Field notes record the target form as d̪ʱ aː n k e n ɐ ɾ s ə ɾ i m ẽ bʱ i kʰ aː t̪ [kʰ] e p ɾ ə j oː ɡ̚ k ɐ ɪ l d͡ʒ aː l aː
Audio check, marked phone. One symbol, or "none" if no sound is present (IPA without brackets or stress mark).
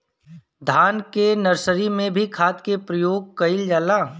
k